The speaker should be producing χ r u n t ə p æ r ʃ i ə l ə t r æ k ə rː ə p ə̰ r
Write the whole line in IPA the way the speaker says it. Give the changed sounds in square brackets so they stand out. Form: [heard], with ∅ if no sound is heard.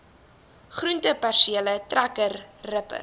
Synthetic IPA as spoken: χ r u n t ə p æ r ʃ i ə l ə t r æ k ə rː ə p ə̰ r